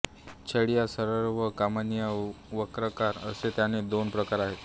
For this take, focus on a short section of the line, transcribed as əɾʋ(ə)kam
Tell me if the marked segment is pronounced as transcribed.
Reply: yes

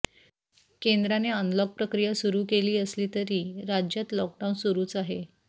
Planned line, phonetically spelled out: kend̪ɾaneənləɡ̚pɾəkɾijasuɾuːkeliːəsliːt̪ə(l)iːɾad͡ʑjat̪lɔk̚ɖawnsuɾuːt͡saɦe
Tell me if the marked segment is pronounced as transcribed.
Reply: no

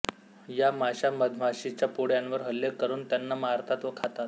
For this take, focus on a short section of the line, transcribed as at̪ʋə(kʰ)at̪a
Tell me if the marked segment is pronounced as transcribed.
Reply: yes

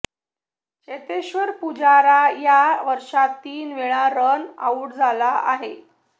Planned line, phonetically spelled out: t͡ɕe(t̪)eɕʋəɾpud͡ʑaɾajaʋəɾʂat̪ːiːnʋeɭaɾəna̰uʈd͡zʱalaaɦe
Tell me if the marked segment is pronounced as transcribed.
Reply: yes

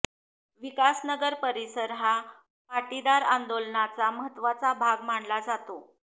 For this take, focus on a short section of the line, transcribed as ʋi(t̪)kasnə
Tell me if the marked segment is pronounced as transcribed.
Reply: no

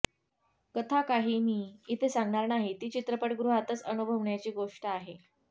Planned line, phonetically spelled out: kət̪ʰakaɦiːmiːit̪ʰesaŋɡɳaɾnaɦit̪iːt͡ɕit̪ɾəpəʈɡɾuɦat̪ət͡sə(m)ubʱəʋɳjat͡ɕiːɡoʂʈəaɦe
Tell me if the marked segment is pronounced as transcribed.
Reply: no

